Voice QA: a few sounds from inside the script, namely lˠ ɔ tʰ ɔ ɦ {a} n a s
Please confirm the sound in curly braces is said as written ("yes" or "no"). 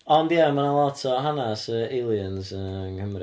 yes